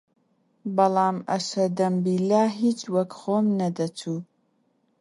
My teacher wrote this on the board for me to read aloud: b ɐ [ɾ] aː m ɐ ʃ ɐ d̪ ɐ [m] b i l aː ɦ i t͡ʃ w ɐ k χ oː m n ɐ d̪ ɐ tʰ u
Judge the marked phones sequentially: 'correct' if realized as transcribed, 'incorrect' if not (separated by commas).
incorrect, correct